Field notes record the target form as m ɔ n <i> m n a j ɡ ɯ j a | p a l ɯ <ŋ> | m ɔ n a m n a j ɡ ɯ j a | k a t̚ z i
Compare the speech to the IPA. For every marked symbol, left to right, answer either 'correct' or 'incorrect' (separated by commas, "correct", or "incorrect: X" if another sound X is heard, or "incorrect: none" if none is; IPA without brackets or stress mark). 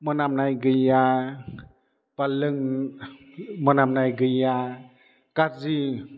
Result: incorrect: a, correct